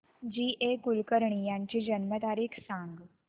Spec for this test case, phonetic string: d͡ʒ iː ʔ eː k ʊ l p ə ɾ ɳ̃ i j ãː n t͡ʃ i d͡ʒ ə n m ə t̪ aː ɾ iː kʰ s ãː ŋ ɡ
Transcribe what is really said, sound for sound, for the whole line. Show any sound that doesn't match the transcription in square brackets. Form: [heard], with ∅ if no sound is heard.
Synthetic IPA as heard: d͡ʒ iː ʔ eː k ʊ l [k] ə ɾ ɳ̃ i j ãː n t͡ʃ i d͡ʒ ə n m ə t̪ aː ɾ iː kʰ s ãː ŋ ɡ

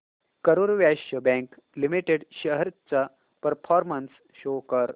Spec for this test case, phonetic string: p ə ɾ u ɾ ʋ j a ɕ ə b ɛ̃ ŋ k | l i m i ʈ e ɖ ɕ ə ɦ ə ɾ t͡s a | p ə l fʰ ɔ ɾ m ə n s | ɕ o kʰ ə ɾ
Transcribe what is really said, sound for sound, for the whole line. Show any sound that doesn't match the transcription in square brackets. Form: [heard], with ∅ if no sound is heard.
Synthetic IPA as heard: [k] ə ɾ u ɾ ʋ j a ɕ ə b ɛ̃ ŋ k | l i m i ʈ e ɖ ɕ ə ɦ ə ɾ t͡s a | p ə [ɾ] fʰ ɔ ɾ m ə n s | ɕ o [k] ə ɾ

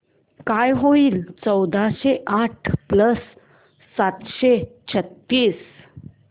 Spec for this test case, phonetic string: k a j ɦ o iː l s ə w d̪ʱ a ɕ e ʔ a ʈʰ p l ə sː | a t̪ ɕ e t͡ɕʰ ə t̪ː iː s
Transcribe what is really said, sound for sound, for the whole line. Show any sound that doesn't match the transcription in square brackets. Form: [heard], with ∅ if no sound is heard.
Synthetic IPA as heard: k a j ɦ o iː l [t͡s] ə w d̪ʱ a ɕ e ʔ a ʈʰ p l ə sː | a t̪ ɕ e t͡ɕʰ ə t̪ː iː s

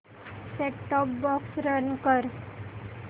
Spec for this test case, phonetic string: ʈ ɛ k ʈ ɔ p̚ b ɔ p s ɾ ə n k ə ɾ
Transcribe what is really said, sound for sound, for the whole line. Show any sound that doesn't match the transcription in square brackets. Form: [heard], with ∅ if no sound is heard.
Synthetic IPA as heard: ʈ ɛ k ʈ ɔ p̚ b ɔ [k] s ɾ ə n k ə ɾ

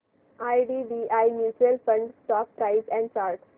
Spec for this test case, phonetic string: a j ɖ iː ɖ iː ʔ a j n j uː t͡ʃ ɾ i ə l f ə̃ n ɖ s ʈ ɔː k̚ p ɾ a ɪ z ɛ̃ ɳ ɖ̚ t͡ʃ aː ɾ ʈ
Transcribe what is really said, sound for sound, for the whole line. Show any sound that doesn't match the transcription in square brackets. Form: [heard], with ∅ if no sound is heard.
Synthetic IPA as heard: a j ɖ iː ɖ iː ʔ a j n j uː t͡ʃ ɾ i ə l f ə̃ [ɳ] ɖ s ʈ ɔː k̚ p ɾ a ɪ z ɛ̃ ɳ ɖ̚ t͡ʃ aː ɾ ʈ

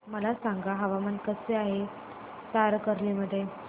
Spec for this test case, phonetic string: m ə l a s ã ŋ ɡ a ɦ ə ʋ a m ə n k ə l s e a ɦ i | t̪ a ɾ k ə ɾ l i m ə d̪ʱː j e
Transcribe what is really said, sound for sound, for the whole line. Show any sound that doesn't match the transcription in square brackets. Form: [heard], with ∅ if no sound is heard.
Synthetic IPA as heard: m ə l a s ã ŋ ɡ a ɦ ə ʋ a m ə n k ə [∅] s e a ɦ [e] | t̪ a ɾ k ə ɾ l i m ə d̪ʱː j e

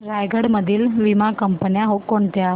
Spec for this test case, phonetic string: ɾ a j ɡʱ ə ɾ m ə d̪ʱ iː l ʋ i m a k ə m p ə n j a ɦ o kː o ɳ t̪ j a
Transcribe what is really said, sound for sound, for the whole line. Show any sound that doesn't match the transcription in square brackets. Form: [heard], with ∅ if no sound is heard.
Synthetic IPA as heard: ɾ a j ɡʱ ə [ɽ] m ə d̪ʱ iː l ʋ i m a k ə m p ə n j a ɦ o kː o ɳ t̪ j a

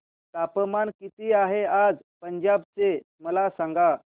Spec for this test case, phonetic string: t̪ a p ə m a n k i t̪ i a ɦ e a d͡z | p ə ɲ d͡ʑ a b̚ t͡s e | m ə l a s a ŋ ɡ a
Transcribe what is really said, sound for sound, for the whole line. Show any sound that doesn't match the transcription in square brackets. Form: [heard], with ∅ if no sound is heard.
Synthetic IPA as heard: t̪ a p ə m a n k i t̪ i a ɦ e a d͡z | p ə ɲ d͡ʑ a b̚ t͡s e | m ə l a s a ŋ ɡ a

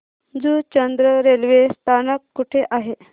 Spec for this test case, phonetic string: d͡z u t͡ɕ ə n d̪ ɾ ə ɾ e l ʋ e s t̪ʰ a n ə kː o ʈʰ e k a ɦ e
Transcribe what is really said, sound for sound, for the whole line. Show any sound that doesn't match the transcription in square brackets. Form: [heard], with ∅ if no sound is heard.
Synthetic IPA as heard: d͡z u t͡ɕ ə n d̪ ɾ ə ɾ e l ʋ e s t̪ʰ a n ə kː [u] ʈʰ e [ʔ] a ɦ e

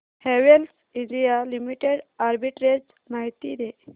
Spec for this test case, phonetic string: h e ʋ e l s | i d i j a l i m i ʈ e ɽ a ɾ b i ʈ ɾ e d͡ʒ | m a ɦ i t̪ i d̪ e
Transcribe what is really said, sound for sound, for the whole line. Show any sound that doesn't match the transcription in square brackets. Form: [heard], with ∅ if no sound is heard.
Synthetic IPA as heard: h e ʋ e l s | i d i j a l i m i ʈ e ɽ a ɾ b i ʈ ɾ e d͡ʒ | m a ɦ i t̪ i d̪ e

